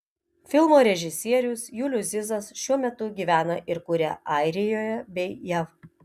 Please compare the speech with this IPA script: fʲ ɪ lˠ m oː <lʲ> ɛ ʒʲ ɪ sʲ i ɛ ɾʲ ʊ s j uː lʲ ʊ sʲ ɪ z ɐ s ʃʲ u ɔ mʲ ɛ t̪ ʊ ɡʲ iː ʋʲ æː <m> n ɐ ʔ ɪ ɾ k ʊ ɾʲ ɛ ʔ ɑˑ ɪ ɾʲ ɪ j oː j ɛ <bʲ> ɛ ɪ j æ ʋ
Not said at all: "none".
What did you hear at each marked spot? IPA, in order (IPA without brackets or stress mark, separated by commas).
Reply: ɾʲ, none, bʲ